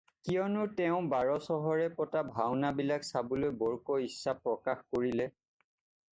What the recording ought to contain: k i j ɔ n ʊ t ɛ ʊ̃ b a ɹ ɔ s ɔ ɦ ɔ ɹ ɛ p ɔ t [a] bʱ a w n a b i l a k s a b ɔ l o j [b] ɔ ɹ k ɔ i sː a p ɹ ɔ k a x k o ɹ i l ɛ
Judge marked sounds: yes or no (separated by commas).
yes, yes